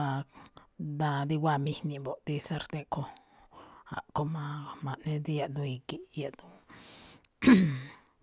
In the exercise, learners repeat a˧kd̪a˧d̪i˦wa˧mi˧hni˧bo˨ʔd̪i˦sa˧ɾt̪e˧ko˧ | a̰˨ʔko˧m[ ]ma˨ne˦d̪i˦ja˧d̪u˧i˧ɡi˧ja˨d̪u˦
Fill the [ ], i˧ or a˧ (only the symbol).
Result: a˧